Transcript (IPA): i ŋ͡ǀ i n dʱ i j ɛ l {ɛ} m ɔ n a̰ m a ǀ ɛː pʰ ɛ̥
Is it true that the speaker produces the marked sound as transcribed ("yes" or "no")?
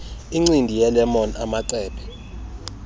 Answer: yes